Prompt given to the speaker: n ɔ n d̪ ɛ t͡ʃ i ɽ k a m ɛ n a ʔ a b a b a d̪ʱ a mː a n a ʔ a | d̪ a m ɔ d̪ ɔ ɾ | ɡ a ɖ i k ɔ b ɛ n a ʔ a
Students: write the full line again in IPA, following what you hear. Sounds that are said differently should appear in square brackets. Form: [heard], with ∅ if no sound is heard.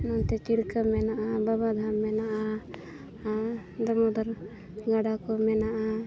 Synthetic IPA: n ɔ n [t̪] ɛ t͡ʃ i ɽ k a m ɛ n a ʔ a b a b a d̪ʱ a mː [ɛ] n a ʔ a | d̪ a m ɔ d̪ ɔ ɾ | ɡ a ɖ [a] k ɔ [m] ɛ n a ʔ a